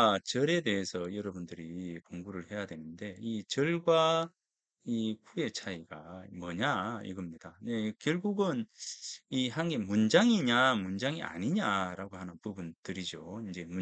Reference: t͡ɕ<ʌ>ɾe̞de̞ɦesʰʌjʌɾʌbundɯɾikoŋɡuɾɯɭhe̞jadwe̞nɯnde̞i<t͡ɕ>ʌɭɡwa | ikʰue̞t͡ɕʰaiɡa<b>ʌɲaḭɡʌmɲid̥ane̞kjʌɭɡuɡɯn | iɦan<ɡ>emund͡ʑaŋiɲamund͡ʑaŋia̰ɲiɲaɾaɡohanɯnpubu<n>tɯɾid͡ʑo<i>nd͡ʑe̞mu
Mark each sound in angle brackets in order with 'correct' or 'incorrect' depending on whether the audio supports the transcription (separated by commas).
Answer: correct, correct, incorrect, correct, correct, correct